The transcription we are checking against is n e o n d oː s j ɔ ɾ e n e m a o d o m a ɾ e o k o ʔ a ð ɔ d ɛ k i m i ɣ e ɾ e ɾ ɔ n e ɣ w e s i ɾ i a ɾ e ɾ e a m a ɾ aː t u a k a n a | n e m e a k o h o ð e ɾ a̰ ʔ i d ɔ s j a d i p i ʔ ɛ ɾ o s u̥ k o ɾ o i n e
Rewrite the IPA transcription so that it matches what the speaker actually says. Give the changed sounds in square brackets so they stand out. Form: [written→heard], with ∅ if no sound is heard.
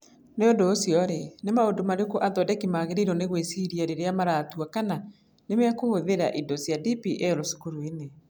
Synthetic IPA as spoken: n e o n d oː s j ɔ ɾ e n e m a o d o m a ɾ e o k o ʔ a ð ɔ d ɛ k i m [i→a] ɣ e ɾ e ɾ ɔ n e ɣ w e s i ɾ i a ɾ e ɾ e a m a ɾ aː t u a k a n a | n e m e a k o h o ð e ɾ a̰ ʔ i d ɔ s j a d i p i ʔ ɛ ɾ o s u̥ k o ɾ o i n e

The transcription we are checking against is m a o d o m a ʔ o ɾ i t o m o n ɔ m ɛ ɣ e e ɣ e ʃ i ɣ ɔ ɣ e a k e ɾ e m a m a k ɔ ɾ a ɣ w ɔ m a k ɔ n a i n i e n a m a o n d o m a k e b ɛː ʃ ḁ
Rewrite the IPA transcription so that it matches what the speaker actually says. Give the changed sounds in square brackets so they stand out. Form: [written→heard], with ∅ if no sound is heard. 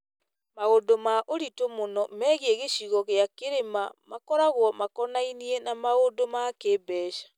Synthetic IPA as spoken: m a o d o m a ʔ o ɾ i t o m o n ɔ m ɛ ɣ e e ɣ e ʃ i ɣ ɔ ɣ e a k e ɾ e m a m a k ɔ ɾ a ɣ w ɔ m a k ɔ n a i n i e n a m a o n d o m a k e b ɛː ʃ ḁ

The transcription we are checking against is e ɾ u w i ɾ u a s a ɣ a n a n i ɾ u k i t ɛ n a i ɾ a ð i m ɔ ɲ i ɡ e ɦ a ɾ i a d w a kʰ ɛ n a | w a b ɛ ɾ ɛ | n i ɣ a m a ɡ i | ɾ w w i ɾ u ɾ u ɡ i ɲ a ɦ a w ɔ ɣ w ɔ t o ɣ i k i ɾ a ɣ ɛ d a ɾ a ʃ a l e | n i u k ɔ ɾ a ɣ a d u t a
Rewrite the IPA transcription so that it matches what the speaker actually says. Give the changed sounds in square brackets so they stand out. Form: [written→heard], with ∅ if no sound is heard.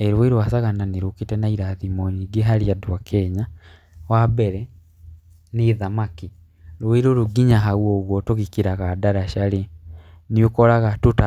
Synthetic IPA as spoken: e ɾ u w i ɾ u a s a ɣ a n a n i ɾ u k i t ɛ n a i ɾ a ð i m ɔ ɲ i ɡ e ɦ a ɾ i a d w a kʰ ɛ [n→ɲ] a | w a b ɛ ɾ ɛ | n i [ɣ→ð] a m a [ɡ→k] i | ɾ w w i ɾ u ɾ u ɡ i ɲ a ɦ a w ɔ ɣ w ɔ t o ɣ i k i ɾ a ɣ [ɛ→a] d a ɾ a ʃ a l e | n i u k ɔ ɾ a ɣ a [d→t] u t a

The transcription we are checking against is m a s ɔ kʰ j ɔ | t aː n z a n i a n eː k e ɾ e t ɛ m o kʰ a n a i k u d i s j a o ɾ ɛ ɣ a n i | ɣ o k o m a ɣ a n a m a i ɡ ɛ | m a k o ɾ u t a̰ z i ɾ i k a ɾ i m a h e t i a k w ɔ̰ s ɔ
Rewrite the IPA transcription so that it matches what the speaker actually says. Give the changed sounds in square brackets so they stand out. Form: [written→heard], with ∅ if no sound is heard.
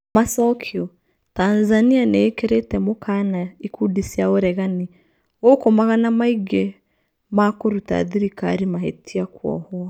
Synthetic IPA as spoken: m a s ɔ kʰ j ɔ | t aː n z a n i a n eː k e ɾ e t ɛ m o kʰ a n a i k u d i s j a o ɾ ɛ ɣ a n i | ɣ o k o m a ɣ a n a m a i ɡ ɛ | m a k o ɾ u t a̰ [z→ð] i ɾ i k a ɾ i m a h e t i a k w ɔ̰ [s→h] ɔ

